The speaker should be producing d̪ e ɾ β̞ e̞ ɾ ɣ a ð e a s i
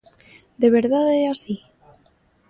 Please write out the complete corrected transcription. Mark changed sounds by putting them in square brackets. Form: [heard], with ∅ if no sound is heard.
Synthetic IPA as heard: d̪ e [∅] β̞ e̞ ɾ [ð] a ð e a s i